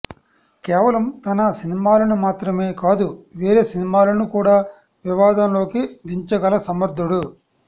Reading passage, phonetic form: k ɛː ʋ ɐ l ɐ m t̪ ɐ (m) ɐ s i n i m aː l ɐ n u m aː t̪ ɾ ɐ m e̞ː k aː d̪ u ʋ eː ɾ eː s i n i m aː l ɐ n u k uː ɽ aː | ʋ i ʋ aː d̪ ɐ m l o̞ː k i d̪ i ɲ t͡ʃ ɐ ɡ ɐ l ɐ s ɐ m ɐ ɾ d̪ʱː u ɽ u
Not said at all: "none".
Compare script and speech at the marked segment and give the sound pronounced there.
n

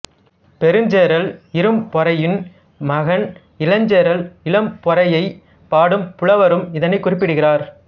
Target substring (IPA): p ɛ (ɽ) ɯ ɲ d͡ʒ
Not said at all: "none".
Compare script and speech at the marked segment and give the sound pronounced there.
ɾ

